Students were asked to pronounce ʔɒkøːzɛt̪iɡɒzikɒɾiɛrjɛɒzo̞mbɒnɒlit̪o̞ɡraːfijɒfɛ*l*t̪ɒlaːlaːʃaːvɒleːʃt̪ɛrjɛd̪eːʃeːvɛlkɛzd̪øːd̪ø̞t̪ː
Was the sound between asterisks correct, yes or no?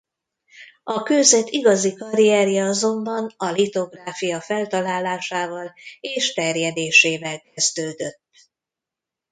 yes